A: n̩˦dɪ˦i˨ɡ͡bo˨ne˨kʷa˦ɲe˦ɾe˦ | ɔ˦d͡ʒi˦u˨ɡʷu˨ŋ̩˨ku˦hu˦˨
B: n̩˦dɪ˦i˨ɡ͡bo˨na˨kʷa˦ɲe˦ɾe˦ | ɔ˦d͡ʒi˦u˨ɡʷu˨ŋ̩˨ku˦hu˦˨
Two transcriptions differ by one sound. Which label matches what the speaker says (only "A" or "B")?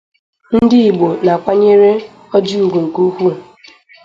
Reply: B